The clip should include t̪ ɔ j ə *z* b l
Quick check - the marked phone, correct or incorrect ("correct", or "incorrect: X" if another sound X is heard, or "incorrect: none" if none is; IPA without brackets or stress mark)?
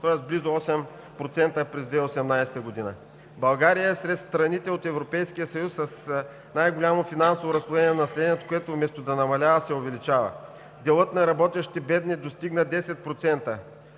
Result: incorrect: s